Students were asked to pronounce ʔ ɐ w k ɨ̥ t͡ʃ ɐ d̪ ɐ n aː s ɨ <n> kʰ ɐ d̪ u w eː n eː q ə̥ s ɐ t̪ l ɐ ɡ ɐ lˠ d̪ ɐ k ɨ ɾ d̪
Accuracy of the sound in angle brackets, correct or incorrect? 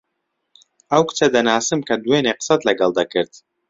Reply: incorrect